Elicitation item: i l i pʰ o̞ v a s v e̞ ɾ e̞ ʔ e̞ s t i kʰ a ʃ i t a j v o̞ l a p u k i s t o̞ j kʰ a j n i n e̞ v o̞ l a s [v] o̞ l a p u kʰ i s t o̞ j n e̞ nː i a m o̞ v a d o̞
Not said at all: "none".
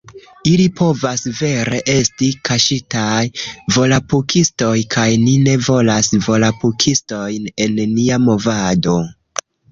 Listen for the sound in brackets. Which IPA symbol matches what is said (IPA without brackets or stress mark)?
v